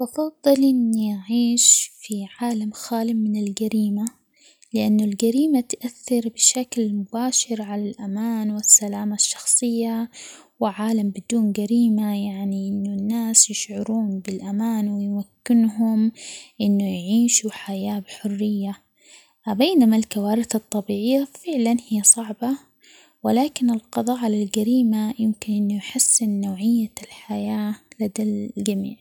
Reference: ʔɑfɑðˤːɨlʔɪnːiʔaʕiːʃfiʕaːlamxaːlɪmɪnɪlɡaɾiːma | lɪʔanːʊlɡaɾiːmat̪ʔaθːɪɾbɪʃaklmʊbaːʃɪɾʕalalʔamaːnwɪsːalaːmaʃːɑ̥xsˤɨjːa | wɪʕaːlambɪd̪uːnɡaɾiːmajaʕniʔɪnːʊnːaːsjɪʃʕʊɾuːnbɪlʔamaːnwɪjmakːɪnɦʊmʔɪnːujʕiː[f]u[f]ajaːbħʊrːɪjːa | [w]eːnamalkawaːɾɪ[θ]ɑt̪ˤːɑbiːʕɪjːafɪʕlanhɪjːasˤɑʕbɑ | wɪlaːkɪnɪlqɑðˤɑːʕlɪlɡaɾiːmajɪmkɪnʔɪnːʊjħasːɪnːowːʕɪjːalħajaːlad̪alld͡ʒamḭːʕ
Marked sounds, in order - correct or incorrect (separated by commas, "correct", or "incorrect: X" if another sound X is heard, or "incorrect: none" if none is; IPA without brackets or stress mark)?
incorrect: ʃ, incorrect: ħ, incorrect: b, correct